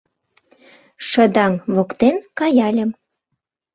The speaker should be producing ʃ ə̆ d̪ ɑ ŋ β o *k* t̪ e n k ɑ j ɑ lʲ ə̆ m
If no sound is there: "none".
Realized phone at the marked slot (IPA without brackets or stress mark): k